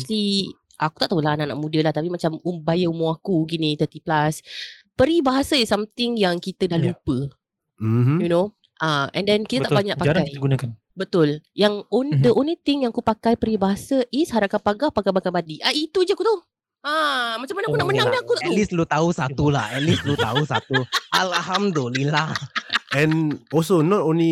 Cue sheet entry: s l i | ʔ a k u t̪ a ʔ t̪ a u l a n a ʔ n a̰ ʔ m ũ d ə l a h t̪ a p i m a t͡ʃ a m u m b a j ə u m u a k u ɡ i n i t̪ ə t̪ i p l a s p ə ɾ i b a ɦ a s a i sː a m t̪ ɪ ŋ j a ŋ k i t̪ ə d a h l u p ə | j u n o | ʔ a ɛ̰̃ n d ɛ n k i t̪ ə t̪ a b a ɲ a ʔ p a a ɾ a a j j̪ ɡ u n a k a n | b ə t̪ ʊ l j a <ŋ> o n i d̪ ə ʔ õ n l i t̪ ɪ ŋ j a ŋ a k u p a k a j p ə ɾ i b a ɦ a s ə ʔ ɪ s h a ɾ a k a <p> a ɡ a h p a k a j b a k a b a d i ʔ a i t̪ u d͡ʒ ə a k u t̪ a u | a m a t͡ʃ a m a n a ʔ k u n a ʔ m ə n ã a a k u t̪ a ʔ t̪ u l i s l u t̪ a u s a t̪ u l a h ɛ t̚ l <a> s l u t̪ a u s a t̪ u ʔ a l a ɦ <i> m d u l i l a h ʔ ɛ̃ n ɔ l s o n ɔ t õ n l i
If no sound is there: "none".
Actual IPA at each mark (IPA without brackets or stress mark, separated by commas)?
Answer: ŋ, p, i, a